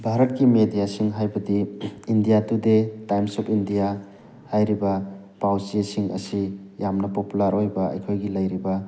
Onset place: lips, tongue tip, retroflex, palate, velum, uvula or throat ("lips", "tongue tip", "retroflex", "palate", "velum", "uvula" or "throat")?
lips